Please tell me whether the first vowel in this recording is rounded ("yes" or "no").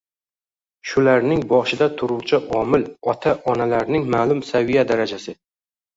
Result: yes